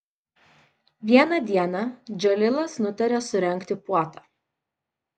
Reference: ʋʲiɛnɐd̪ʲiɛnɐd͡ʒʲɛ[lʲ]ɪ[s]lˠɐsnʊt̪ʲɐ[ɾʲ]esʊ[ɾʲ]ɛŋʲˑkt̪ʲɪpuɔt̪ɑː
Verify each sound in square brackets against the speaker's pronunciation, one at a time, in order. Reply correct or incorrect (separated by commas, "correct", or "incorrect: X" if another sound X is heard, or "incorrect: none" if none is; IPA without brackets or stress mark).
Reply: correct, incorrect: none, correct, correct